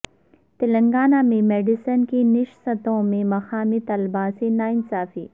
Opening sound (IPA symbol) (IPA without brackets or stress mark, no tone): t̪